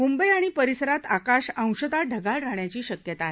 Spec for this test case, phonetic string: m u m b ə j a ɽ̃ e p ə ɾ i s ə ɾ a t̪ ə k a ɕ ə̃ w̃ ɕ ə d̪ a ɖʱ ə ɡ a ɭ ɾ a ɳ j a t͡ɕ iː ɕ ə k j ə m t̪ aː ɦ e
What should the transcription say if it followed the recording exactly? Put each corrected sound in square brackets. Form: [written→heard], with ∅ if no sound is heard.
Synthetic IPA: m u m b ə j a ɽ̃ [e→i] p ə ɾ i s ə ɾ a t̪ [ə→a] k a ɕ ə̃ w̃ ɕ ə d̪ a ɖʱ ə ɡ a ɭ ɾ a ɳ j a t͡ɕ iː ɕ ə k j ə [m→∅] t̪ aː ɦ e